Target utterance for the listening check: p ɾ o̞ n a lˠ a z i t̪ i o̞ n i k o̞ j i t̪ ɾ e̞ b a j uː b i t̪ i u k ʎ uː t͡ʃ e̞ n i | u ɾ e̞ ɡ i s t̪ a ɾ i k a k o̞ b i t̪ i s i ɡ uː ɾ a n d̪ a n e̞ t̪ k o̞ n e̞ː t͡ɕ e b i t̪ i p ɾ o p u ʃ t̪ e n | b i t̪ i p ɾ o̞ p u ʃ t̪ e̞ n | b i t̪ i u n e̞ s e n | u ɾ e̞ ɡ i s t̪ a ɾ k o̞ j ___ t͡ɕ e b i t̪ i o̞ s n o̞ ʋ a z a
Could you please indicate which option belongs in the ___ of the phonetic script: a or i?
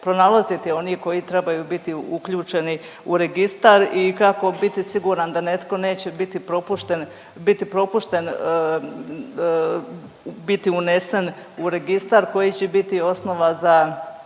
i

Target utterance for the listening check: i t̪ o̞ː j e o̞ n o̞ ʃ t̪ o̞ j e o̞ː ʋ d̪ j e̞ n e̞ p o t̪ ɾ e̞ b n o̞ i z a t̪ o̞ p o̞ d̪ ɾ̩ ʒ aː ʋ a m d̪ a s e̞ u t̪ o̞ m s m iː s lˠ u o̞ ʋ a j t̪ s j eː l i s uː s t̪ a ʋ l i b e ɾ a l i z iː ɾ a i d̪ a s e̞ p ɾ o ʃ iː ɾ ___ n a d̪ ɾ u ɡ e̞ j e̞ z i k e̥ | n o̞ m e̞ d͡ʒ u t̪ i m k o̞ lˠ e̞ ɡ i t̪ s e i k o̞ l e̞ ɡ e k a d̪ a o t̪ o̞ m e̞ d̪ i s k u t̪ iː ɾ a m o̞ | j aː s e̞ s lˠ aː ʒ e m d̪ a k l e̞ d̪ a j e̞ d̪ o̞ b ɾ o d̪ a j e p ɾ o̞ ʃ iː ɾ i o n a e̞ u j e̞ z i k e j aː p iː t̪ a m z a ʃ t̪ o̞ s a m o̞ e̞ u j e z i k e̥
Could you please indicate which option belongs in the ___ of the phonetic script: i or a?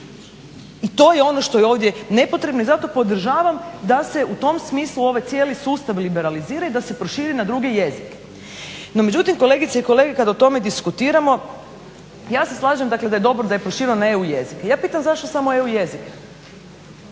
i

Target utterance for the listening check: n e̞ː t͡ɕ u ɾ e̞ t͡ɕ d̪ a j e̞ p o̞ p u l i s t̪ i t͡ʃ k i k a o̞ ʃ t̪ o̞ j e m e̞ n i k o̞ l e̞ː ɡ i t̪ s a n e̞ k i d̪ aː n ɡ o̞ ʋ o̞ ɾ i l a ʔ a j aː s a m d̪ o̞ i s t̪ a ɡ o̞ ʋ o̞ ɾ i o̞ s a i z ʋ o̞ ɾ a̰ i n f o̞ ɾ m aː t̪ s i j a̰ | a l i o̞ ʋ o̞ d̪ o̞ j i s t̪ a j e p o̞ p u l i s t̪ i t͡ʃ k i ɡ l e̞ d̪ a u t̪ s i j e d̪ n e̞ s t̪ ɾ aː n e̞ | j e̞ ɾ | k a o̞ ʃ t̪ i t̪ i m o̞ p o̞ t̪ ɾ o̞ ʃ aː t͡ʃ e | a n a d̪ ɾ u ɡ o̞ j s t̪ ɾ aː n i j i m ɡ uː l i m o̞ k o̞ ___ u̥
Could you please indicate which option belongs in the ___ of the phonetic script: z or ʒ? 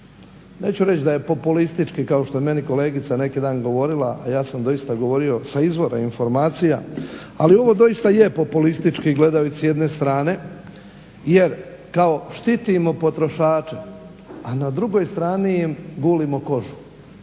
ʒ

